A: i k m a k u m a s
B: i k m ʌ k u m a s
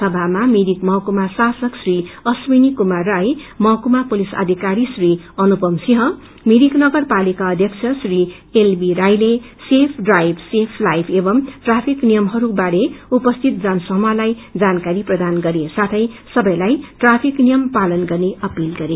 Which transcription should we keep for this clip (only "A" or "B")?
B